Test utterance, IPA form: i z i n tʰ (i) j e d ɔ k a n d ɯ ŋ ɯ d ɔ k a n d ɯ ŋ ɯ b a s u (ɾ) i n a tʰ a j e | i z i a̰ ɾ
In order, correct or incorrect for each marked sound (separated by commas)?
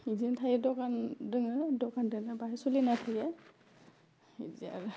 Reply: incorrect, incorrect